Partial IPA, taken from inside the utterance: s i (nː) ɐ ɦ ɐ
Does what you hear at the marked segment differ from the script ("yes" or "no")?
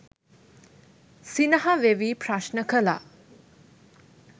yes